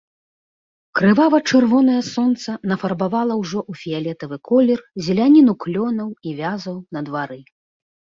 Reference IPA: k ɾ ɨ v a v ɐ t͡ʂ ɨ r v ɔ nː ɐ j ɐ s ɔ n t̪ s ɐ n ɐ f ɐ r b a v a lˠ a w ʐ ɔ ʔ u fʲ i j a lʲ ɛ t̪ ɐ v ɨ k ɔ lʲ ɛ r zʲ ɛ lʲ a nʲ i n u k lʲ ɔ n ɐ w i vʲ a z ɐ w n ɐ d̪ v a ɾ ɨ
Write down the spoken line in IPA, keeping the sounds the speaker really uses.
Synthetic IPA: k ɾ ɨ v a v ɐ t͡ʂ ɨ r v ɔ n ɐ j ɐ s ɔ n t̪ s ɐ n ɐ f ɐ r b a v a lˠ ɐ w ʐ ɔ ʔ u fʲ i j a lʲ ɛ t̪ ɐ v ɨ k ɔ lʲ ɛ r zʲ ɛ lʲ a nʲ i n u k lʲ ɔ n ɐ w i vʲ a z ɐ w n ɐ d̪ v a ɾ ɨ